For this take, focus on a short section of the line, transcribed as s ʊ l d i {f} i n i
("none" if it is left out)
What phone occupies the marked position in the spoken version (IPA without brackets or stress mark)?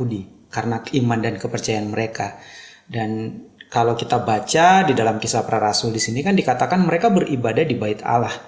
s